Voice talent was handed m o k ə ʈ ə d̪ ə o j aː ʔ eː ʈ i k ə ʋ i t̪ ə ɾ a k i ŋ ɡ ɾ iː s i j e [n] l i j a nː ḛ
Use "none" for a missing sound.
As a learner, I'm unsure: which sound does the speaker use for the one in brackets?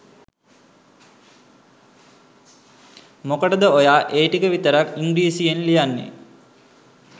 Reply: n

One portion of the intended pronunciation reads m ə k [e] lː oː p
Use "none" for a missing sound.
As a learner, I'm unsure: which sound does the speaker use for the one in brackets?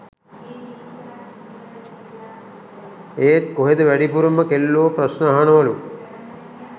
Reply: e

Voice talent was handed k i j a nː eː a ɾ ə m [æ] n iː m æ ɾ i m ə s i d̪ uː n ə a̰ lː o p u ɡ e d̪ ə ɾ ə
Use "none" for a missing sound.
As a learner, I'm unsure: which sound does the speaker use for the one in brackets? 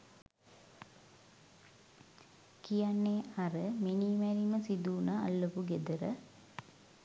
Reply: i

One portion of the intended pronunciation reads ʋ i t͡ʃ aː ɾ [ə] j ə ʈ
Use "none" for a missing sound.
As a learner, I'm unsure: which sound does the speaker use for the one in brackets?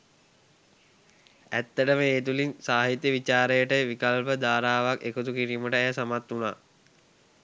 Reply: ə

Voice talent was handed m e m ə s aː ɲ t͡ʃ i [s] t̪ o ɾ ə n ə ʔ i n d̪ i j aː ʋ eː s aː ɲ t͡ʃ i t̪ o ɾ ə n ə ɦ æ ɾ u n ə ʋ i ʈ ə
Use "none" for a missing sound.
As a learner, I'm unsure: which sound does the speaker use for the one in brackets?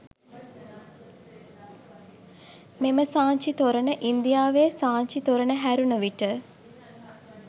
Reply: none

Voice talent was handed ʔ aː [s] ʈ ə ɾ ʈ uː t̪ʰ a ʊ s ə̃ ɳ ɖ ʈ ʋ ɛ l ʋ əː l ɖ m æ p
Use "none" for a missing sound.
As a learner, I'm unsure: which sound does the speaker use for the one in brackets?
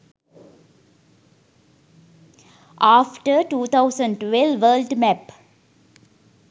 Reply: f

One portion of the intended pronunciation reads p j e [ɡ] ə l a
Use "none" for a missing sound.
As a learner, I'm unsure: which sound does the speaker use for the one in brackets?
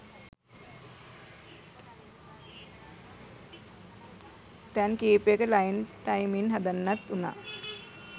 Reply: k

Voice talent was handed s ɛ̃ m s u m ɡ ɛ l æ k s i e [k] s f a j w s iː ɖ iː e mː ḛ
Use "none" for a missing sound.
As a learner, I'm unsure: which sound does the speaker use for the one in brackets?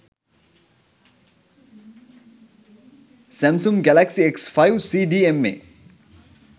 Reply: k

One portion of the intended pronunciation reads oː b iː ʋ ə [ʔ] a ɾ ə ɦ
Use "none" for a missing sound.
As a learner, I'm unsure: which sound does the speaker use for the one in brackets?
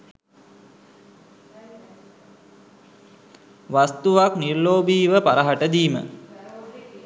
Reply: p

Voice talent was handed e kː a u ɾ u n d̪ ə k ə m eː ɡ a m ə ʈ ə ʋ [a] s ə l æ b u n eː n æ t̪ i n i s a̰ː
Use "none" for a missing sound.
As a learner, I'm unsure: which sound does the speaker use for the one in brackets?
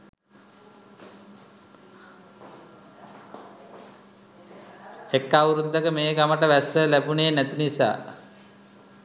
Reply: æ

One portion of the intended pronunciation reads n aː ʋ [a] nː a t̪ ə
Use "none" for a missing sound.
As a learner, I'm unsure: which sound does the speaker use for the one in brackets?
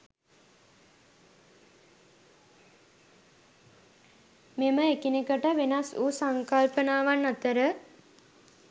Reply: a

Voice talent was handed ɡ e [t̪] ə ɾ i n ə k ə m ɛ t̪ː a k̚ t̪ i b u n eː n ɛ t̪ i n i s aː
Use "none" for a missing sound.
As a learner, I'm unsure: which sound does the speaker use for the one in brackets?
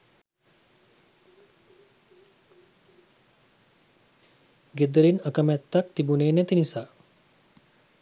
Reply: d̪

